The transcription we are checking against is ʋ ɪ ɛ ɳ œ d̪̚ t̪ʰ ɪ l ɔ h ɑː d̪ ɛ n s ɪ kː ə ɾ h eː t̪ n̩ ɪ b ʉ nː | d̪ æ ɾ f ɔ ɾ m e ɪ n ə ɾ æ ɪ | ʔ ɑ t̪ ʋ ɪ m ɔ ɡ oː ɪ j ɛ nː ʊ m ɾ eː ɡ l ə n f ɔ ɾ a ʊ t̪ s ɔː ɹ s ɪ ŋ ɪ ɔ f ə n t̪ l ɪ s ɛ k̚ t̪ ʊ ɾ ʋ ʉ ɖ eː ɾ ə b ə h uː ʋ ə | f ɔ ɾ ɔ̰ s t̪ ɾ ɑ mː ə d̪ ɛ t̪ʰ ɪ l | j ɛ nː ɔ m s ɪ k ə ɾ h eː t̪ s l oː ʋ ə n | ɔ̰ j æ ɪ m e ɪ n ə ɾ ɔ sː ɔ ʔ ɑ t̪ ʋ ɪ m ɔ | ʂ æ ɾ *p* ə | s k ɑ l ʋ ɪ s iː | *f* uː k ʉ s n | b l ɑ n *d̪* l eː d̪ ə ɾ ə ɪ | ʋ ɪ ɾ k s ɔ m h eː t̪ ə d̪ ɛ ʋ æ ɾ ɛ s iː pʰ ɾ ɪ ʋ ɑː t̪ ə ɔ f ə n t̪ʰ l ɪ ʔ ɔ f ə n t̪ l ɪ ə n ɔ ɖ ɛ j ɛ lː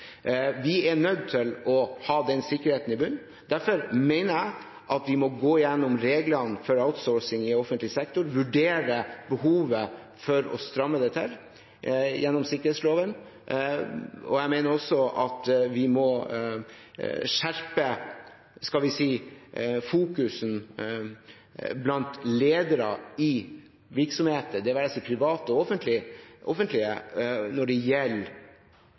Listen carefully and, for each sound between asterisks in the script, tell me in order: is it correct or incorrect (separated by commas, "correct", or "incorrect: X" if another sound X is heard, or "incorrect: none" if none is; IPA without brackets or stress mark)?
correct, correct, incorrect: t̪